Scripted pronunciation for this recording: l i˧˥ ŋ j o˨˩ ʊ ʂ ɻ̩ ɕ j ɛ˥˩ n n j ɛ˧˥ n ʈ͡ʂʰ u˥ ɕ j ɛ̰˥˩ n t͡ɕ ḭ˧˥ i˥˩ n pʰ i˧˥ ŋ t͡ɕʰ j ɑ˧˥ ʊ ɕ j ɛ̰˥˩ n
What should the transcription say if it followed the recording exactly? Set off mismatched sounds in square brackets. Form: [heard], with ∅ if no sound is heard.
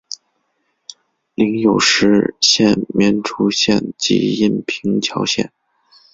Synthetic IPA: l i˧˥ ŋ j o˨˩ ʊ ʂ ɻ̩ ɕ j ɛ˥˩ n [m] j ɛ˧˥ n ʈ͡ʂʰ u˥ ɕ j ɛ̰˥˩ n t͡ɕ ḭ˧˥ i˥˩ n pʰ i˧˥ ŋ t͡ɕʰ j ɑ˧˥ ʊ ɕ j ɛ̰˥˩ n